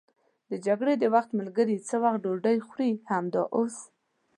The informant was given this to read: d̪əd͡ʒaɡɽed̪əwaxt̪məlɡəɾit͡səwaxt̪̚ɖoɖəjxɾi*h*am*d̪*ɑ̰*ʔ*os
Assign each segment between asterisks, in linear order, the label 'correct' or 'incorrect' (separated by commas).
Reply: correct, correct, correct